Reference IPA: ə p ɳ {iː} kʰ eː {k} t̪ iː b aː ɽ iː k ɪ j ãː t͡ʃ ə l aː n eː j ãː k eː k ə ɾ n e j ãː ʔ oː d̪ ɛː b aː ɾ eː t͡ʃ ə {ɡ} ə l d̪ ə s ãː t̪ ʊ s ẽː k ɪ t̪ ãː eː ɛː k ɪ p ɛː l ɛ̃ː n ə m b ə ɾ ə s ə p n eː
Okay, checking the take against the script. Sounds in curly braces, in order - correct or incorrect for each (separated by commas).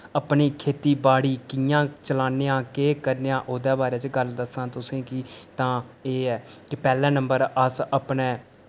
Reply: correct, incorrect, correct